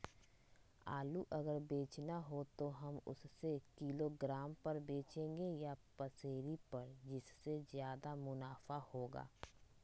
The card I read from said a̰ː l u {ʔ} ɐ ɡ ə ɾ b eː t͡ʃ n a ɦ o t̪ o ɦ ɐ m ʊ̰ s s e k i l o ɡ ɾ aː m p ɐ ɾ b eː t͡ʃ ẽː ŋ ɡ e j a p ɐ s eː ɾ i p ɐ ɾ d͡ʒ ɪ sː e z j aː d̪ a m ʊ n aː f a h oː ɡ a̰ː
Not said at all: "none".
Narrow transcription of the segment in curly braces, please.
ʔ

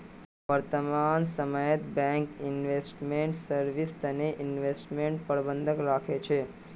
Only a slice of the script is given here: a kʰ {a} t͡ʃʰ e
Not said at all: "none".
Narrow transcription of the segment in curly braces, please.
e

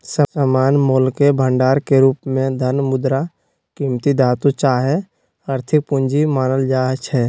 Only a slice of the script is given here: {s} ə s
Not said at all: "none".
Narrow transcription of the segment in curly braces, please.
s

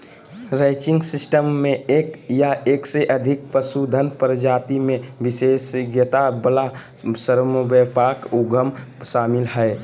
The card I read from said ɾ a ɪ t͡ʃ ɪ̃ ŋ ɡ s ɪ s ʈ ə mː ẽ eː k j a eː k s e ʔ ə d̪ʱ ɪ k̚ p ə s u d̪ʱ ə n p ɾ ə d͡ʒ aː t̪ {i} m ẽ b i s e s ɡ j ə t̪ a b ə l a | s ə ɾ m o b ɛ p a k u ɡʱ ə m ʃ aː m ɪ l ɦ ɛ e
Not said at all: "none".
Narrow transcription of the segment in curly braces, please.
i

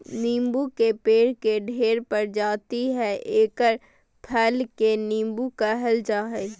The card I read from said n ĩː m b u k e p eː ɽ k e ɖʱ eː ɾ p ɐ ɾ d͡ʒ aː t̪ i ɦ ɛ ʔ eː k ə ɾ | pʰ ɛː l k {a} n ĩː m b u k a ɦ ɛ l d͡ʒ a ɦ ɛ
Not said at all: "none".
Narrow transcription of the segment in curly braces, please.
e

